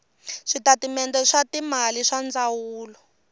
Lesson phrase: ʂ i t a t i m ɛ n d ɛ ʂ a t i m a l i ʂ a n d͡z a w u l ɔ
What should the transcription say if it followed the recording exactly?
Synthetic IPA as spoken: ʂ i t a t i m ɛ n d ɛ ʂ a t i m a l i ʂ a n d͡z a w uː l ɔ